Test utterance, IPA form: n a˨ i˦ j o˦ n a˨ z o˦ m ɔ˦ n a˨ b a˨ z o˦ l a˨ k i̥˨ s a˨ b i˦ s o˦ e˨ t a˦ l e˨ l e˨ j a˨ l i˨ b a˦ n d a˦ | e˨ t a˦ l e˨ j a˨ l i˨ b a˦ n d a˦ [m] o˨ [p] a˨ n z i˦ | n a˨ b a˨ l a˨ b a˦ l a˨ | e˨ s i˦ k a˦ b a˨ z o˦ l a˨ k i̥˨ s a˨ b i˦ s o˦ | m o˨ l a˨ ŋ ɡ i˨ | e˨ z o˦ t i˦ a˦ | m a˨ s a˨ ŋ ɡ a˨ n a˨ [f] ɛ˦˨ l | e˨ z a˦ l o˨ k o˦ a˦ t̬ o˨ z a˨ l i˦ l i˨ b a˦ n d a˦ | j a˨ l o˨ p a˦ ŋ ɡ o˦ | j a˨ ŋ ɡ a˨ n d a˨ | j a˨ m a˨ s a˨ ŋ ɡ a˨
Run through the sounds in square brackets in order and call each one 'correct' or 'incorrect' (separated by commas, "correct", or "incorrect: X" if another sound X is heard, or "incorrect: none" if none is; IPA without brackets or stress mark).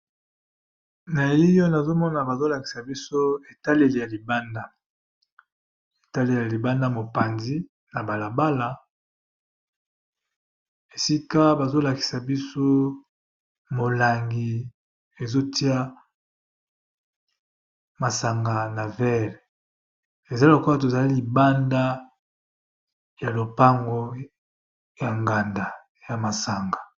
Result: correct, correct, incorrect: v